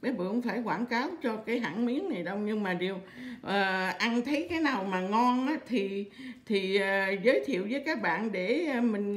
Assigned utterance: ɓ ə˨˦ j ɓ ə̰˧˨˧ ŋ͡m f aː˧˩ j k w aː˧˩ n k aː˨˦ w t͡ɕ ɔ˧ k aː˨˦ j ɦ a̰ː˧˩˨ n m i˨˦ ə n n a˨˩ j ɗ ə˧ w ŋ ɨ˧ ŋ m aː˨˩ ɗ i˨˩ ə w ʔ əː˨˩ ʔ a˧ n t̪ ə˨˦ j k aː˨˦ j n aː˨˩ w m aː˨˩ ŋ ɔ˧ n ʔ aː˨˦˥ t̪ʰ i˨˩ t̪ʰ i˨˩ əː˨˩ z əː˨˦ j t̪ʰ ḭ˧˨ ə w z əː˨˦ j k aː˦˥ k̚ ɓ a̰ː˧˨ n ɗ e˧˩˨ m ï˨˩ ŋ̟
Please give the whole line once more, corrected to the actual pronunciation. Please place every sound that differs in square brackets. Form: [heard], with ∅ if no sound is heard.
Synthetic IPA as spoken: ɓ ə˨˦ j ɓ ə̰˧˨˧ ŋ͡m f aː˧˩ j k w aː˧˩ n k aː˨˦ w t͡ɕ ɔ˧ k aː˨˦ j ɦ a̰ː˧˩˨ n m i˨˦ ə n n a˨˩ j ɗ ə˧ w [ɲ] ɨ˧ ŋ m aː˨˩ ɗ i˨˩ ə w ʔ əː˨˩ ʔ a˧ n [t̪ʰ] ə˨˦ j k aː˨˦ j n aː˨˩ w m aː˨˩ ŋ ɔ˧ n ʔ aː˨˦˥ t̪ʰ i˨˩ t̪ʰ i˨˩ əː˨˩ z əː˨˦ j t̪ʰ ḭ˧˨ ə w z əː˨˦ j k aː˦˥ k̚ ɓ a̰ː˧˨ n ɗ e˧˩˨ m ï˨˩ ŋ̟